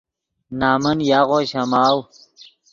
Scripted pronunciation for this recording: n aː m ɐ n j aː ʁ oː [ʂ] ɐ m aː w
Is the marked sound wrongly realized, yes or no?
yes